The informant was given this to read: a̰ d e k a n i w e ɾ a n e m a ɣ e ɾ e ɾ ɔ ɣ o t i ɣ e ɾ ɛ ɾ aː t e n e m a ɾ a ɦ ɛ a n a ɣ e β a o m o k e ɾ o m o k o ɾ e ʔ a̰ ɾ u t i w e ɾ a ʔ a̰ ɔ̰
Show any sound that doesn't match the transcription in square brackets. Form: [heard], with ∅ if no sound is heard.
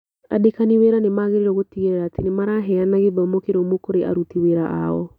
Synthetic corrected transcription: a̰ d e k a n i w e ɾ a n e m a ɣ e ɾ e ɾ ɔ ɣ o t i ɣ e ɾ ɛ ɾ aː t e n e m a ɾ a ɦ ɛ a n a ɣ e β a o m o k e ɾ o m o k o ɾ e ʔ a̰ ɾ u t i w e ɾ a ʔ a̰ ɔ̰